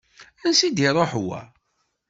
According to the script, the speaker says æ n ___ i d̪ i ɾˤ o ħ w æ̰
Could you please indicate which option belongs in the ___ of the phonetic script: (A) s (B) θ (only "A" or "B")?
A